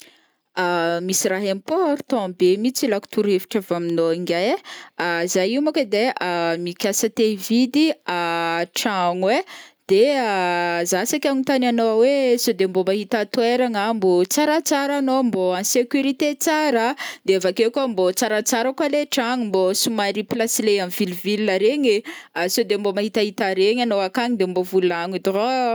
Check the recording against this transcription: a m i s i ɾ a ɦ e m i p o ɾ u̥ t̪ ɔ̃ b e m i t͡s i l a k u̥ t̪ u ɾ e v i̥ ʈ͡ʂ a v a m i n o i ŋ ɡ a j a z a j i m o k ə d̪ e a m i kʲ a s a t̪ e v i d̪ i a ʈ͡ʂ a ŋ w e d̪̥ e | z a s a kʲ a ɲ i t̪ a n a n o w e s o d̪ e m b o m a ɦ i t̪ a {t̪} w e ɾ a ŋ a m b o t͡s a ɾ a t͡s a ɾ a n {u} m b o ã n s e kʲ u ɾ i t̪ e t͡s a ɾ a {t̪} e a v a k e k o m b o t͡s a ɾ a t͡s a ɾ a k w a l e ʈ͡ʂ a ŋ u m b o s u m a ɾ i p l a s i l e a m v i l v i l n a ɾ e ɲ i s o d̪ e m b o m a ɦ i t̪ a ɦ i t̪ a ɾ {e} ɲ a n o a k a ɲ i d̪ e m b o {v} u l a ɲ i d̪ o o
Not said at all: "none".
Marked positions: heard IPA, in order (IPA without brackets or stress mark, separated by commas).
t̪, o, d̪, e, v